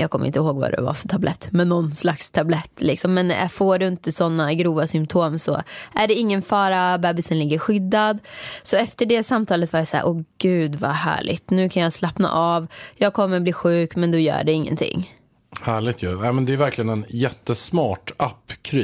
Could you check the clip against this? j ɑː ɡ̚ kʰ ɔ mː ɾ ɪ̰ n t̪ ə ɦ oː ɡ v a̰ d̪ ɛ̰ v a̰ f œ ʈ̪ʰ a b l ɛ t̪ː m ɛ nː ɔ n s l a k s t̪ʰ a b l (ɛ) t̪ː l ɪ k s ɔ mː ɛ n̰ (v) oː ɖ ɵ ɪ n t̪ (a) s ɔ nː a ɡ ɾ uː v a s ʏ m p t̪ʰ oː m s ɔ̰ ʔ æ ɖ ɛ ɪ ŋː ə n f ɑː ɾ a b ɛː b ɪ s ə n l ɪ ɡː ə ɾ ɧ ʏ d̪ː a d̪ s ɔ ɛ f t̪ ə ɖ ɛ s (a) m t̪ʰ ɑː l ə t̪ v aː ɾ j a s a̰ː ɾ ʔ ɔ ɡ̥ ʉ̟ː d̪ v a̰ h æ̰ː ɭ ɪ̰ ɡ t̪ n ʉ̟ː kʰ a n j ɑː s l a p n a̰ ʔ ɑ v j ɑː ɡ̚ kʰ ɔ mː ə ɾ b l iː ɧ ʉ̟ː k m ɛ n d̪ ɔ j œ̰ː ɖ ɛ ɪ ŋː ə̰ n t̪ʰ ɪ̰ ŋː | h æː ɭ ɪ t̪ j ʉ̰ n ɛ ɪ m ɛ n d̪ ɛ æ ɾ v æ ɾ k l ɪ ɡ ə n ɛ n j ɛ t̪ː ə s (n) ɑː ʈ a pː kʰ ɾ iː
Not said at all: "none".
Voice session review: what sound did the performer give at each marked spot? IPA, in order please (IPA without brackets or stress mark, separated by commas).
ɛ, f, ə, a, m